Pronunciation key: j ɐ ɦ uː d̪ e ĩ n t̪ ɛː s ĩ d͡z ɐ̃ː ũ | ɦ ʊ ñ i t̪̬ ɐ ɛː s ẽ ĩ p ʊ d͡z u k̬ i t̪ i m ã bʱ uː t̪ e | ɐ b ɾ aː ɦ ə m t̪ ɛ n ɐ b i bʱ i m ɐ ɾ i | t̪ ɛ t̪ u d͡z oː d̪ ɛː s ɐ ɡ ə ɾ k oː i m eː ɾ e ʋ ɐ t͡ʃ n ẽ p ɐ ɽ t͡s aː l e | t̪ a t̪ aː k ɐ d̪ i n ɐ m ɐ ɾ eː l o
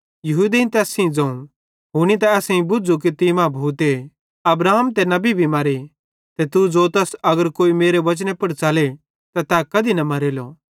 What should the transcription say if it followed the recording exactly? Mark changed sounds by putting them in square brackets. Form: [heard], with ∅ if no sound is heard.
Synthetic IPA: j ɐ ɦ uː d̪ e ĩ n t̪ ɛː s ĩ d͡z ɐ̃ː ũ | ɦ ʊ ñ i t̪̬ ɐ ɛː s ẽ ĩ [b] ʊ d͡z u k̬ i t̪ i m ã bʱ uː t̪ e | ɐ b ɾ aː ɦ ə m t̪ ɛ n ɐ b i bʱ i m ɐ ɾ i | t̪ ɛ t̪ u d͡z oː [t̪] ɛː s ɐ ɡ ə ɾ k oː i m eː ɾ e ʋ ɐ t͡ʃ n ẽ p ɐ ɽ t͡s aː l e | t̪ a t̪ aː k ɐ d̪ i n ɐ m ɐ ɾ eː l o